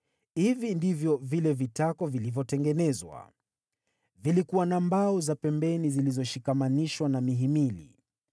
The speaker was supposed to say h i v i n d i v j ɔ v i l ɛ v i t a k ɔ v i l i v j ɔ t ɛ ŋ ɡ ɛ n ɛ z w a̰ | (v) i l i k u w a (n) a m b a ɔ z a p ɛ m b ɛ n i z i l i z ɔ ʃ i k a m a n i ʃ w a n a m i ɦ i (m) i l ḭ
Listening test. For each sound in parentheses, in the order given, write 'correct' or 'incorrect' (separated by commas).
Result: correct, correct, correct